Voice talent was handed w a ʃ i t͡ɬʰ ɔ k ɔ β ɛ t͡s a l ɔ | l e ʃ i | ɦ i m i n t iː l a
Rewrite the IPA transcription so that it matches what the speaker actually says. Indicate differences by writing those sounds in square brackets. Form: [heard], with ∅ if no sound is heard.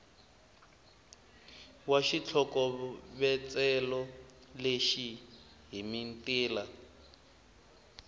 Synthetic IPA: w a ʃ i t͡ɬʰ ɔ k ɔ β ɛ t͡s [ɛ] l ɔ | l e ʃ i | ɦ i m i n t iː l a